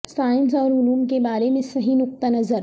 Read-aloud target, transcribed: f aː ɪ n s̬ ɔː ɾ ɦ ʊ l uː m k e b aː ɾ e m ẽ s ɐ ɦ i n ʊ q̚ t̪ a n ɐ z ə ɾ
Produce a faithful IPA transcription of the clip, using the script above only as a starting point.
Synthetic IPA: s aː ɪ n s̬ ɔː ɾ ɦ ʊ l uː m k e b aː ɾ e m ẽ s ɐ ɦ i n ʊ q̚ t̪ a n ɐ z ə ɾ